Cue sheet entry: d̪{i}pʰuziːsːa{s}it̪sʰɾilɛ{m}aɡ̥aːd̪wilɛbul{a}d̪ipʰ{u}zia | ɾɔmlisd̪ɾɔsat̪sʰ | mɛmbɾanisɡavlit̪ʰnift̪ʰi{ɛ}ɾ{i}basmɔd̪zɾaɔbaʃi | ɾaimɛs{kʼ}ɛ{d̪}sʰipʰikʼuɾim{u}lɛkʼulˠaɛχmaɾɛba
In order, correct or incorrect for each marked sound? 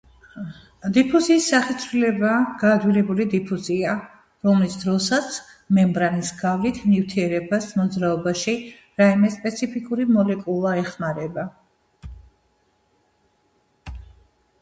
correct, incorrect, incorrect, incorrect, correct, correct, incorrect, incorrect, incorrect, incorrect

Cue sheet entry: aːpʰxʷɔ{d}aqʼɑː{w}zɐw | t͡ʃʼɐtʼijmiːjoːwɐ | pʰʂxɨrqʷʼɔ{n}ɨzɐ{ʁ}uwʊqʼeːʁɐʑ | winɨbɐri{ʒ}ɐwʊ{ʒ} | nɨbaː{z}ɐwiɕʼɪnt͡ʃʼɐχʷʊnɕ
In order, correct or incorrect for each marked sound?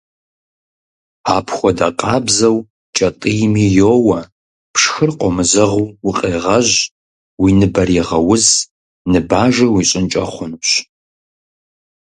correct, incorrect, incorrect, correct, incorrect, incorrect, incorrect

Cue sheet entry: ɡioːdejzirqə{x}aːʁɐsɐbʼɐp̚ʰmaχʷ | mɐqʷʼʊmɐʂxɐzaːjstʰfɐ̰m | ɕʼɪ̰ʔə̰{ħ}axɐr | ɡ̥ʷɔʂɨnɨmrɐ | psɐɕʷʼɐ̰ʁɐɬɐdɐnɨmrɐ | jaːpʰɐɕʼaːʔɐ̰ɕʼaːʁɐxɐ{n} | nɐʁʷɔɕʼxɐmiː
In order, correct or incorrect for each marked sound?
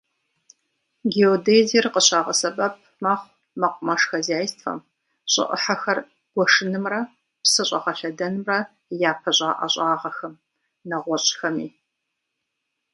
incorrect, correct, incorrect

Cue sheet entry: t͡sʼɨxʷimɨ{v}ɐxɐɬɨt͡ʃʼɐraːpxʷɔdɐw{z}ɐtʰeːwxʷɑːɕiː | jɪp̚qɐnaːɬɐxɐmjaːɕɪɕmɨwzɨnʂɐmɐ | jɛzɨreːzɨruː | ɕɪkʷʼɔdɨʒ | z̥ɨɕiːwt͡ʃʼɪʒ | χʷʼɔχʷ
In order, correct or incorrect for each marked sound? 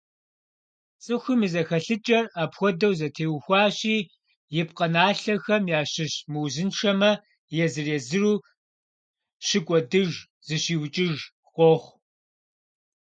incorrect, correct

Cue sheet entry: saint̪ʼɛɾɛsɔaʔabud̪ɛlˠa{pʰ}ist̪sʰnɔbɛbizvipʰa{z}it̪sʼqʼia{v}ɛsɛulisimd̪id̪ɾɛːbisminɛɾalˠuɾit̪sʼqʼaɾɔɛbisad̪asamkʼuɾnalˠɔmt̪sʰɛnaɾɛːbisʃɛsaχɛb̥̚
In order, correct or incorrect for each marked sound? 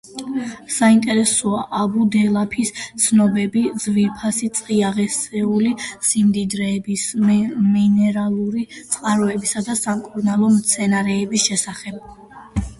correct, incorrect, incorrect

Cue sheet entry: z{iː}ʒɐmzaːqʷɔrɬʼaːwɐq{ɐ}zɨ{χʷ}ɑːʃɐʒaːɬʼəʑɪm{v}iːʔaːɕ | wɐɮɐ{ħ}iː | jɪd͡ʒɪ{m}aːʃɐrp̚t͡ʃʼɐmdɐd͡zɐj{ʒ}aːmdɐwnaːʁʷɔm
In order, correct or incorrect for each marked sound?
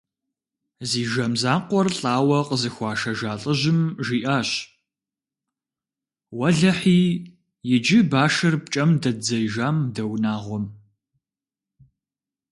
correct, incorrect, incorrect, incorrect, correct, incorrect, correct

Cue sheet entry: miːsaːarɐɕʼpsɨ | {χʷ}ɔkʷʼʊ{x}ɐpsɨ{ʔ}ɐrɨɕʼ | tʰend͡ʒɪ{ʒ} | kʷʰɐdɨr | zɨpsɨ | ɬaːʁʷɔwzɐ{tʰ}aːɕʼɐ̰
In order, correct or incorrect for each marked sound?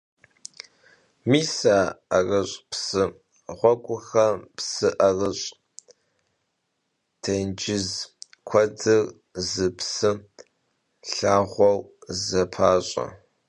incorrect, correct, correct, incorrect, incorrect

